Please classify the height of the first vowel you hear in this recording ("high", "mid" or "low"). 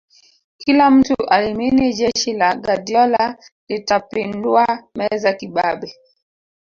high